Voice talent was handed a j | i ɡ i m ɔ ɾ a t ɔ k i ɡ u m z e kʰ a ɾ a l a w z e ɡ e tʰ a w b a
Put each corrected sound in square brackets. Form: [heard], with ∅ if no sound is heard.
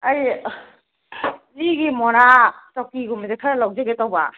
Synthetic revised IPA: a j | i ɡ i m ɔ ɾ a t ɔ k i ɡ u m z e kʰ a ɾ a l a w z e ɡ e [t] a w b a